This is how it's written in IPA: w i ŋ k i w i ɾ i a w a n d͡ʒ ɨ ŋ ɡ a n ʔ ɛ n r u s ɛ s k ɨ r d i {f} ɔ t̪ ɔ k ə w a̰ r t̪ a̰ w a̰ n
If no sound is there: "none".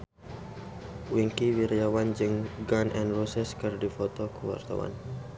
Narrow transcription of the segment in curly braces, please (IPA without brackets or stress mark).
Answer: f